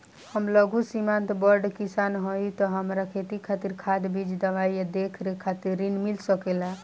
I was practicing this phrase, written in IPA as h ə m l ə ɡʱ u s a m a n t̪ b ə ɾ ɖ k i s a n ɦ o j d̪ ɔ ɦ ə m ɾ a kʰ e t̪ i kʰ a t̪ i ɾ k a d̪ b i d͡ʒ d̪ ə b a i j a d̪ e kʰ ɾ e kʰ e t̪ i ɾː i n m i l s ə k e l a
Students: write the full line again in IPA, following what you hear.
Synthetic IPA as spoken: h ə m l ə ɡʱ u s i m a n t̪ b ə ɾ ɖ k i s a n ɦ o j t̪ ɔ ɦ ə m ɾ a kʰ e t̪ i kʰ a t̪ i ɾ kʰ a d̪ b i d͡ʒ d̪ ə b a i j a d̪ e kʰ ɾ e kʰ a t̪ i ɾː i n m i l s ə k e l a